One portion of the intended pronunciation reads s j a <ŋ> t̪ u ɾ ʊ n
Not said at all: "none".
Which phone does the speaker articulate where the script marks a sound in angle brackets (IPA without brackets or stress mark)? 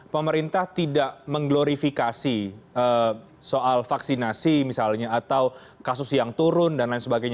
ŋ